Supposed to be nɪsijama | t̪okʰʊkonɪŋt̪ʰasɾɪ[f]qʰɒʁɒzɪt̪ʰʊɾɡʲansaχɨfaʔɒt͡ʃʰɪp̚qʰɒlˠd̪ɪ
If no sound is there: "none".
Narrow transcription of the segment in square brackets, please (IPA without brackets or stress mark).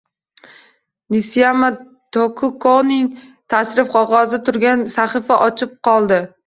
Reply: f